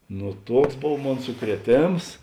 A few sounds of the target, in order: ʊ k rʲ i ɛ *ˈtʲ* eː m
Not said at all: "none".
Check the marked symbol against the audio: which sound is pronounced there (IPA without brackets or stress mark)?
tʲ